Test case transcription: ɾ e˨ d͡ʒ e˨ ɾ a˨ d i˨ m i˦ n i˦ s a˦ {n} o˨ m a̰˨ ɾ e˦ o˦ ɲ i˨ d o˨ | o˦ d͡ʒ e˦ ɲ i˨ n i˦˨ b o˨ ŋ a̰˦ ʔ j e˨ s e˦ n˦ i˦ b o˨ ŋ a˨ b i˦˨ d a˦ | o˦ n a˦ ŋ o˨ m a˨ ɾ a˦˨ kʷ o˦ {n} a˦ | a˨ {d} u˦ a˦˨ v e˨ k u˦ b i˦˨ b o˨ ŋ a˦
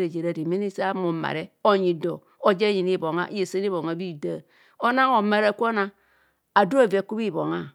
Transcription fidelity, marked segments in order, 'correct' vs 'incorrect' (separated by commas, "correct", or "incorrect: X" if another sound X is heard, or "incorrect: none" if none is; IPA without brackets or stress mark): incorrect: m, correct, correct